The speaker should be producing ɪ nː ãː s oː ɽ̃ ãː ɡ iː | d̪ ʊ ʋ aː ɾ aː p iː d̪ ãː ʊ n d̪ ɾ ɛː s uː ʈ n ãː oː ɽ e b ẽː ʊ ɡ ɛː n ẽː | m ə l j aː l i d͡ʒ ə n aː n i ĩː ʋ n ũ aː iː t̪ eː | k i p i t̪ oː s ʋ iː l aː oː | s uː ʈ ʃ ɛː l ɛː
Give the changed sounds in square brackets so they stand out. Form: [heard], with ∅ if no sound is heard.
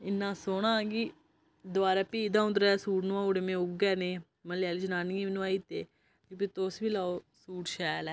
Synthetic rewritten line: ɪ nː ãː s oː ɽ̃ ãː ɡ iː | d̪ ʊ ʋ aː ɾ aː p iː d̪ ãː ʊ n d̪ ɾ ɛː s uː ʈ n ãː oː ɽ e [m] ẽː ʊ ɡ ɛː n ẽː | m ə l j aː l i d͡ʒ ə n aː n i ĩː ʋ n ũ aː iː t̪ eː | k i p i t̪ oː s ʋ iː l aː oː | s uː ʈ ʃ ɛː l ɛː